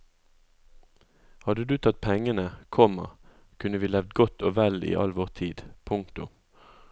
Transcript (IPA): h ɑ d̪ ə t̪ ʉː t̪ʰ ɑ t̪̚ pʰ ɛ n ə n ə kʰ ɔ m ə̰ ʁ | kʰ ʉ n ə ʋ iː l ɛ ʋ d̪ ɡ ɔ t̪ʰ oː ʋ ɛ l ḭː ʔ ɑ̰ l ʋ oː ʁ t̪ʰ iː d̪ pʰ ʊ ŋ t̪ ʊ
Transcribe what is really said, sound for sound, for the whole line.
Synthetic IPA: h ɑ d̪ ə d̪ ʉː t̪ʰ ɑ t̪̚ pʰ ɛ ŋ ə n ə kʰ ɔ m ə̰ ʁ | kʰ ʉ n ə ʋ iː l ɛ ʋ d̪ ɡ ɔ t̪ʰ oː ʋ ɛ l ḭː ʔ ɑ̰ l ʋ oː ʁ t̪ʰ iː d̪ pʰ ʊ ŋ t̪ ʊ